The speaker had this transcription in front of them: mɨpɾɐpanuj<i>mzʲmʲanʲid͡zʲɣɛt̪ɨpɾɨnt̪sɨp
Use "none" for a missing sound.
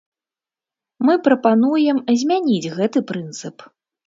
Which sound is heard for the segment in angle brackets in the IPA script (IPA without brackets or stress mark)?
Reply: ɛ